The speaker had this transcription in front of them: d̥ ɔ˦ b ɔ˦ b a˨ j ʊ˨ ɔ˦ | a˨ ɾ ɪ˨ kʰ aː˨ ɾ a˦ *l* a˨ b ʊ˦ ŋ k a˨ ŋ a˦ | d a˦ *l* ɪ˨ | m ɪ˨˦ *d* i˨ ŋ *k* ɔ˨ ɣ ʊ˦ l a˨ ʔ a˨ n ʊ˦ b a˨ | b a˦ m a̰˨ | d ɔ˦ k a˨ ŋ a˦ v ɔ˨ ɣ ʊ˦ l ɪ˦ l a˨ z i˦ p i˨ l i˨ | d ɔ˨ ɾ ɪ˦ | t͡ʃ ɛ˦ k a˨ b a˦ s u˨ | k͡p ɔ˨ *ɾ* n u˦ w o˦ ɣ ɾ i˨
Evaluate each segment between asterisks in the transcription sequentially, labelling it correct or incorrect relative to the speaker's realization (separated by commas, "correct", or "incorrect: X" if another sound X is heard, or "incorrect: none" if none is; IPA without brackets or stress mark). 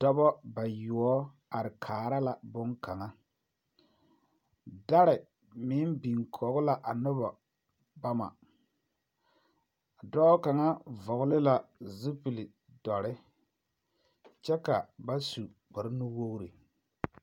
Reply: correct, incorrect: ɾ, incorrect: b, incorrect: kʰ, correct